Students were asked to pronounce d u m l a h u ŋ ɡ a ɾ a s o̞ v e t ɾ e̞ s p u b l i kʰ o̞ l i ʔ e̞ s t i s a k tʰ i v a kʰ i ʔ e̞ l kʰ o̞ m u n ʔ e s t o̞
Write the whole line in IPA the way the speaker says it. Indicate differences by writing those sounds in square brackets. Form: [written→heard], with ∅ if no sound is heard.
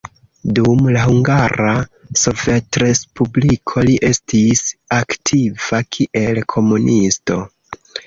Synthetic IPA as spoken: d u m l a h u ŋ ɡ a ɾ a s o̞ v e t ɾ e̞ s p u b l i kʰ o̞ l i ʔ e̞ s t i s a k tʰ i v a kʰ i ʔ e̞ l kʰ o̞ m u n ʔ [e→i] s t o̞